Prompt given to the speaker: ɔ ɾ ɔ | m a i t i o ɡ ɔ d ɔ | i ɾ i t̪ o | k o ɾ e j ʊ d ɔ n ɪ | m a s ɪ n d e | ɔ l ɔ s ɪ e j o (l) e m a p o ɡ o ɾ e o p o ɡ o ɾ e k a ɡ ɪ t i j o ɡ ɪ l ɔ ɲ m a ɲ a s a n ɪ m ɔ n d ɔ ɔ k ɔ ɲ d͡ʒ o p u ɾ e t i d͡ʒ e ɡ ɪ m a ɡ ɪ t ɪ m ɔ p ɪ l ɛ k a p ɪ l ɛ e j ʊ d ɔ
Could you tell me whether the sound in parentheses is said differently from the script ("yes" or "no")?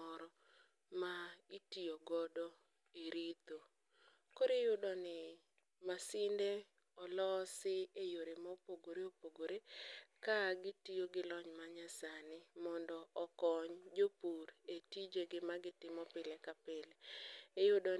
yes